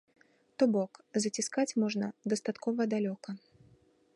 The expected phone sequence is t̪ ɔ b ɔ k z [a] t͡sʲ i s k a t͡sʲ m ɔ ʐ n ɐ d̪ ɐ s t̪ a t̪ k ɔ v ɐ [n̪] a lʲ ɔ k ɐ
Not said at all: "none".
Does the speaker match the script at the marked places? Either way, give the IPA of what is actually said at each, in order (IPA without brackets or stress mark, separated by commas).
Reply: ɐ, d̪